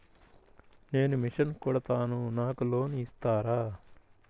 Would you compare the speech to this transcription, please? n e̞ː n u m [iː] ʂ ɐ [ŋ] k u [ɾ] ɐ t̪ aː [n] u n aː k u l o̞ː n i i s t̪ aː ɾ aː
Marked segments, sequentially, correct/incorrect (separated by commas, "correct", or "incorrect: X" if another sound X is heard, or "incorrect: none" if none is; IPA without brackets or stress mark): incorrect: i, incorrect: n, incorrect: ɽ, correct